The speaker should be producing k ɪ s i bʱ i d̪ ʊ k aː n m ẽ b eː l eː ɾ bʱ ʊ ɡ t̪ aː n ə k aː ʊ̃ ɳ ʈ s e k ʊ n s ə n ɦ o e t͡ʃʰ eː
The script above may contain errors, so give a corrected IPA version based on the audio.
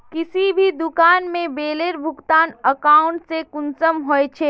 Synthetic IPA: k ɪ s i bʱ i d̪ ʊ k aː n m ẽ b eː l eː ɾ bʱ ʊ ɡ t̪ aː n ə k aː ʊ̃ ɳ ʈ s e k ʊ n s ə m ɦ o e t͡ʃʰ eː

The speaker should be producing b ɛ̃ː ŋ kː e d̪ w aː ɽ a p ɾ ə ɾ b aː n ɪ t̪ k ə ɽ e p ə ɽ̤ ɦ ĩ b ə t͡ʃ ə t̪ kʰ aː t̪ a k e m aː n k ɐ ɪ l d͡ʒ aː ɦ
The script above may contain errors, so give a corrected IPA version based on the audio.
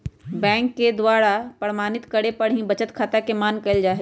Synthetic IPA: b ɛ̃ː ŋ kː e d̪ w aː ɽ a p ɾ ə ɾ m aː n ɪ t̪ k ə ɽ e p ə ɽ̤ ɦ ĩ b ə t͡ʃ ə t̪ kʰ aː t̪ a k e m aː n k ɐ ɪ l d͡ʒ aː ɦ

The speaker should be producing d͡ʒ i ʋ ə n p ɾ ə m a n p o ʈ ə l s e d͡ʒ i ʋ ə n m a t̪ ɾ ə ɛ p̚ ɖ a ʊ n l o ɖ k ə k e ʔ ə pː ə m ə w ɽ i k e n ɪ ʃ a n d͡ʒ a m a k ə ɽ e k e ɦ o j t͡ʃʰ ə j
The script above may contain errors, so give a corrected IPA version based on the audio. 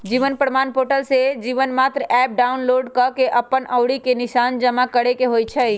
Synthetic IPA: d͡ʒ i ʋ ə n p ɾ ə m a n p o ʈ ə l s e d͡ʒ i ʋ ə n m a t̪ ɾ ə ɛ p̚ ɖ a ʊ n l o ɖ k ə k e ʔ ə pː ə n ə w ɽ i k e n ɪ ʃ a n d͡ʒ ə m a k ə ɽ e k e ɦ o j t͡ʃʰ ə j

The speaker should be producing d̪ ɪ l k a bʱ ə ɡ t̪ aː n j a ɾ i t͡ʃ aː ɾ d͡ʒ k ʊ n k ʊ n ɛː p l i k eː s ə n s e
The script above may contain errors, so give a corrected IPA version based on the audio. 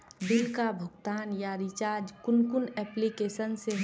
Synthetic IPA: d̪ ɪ l k a bʱ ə ɡ t̪ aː n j a ɾ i t͡ʃ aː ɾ d͡ʒ k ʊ n k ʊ n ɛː p l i k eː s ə n s e

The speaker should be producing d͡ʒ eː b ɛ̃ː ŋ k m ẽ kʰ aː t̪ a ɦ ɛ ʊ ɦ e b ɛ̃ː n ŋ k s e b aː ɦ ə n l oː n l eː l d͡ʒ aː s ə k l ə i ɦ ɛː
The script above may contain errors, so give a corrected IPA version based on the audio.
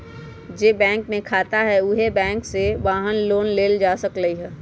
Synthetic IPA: d͡ʒ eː b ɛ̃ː ŋ k m ẽ kʰ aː t̪ a ɦ ɛ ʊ ɦ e b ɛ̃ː ŋ k s e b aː ɦ ə n l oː n l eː l d͡ʒ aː s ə k l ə i ɦ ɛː

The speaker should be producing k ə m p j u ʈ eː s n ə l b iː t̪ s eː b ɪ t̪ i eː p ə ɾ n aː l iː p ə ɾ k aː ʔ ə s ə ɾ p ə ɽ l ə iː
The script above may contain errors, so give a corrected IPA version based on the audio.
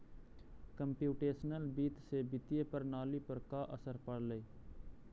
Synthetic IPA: k ə m p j uː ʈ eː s n ə l b iː t̪ s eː b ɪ t̪ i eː p ə ɾ n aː l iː p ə ɾ k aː ʔ ə s ə ɾ p ə ɽ l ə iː

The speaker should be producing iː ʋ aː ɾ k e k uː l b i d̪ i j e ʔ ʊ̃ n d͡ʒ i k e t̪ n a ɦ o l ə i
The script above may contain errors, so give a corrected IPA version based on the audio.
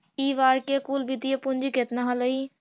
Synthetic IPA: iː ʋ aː ɾ k e k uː l b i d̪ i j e p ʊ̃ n d͡ʒ i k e t̪ n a ɦ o l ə i

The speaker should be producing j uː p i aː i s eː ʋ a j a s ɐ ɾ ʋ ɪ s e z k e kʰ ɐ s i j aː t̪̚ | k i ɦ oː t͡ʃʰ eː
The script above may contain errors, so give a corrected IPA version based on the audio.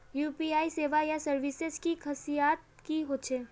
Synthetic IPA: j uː p i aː i s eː ʋ a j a s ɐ ɾ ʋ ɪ s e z k i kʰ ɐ s i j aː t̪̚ | k i ɦ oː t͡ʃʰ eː

